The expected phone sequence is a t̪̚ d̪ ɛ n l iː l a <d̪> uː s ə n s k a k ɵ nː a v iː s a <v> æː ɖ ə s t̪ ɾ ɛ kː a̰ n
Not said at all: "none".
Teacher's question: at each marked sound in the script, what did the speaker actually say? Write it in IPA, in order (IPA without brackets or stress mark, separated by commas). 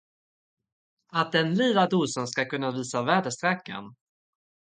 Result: d̪, v